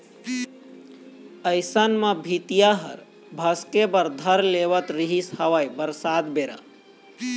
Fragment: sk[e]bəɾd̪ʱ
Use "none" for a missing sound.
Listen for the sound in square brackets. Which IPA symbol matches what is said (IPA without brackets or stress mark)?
e